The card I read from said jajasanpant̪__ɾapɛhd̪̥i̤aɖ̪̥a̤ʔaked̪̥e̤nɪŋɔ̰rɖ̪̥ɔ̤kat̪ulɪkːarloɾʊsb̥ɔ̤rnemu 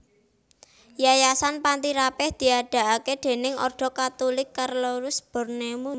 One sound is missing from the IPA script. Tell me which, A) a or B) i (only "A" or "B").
B